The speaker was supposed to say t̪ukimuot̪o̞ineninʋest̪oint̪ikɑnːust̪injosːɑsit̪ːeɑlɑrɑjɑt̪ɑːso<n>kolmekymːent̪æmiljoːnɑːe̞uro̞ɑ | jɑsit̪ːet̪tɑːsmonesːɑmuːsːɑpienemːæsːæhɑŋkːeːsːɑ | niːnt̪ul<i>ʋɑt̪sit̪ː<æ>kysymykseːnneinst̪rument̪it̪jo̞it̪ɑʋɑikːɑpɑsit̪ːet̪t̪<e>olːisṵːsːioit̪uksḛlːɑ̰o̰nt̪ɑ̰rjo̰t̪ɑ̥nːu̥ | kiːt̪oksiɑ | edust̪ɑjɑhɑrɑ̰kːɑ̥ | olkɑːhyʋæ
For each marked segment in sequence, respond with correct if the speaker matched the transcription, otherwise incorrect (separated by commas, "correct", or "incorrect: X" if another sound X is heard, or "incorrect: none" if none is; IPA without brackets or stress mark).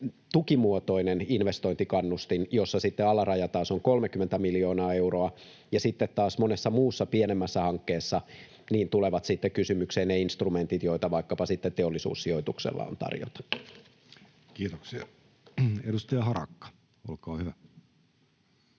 incorrect: ŋ, incorrect: e, incorrect: e, correct